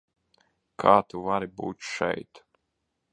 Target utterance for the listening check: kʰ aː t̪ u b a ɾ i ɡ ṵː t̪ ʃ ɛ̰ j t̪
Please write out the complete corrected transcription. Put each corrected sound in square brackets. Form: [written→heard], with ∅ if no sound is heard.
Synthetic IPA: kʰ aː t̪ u [b→v] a ɾ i [ɡ→b] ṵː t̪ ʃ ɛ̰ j t̪